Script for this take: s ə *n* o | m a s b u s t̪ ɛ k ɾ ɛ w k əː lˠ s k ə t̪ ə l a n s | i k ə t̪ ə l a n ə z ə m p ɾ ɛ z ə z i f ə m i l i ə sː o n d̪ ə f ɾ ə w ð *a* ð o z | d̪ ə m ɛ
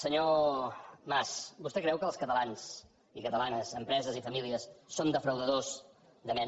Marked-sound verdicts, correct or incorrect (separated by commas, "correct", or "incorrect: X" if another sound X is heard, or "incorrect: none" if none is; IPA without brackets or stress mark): incorrect: ɲ, incorrect: ə